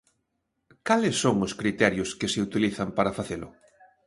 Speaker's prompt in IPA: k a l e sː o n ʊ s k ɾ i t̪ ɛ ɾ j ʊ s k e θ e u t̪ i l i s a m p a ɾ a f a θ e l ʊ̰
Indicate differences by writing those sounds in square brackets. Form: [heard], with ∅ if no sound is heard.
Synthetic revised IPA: k a l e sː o [ŋ] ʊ s k ɾ i t̪ ɛ ɾ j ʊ s k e [s] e u t̪ i l i [θ] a m p a ɾ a f a θ e l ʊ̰